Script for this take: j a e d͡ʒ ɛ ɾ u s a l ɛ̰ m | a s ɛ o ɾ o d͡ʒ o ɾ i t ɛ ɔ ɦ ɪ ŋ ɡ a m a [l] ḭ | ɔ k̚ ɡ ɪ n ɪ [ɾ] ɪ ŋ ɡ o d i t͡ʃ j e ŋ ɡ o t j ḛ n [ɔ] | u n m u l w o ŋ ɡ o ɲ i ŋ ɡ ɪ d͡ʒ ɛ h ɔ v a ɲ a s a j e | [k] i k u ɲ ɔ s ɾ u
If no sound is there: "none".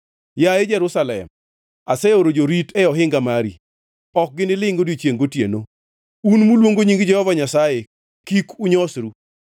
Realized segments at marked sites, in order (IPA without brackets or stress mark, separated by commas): ɾ, l, o, k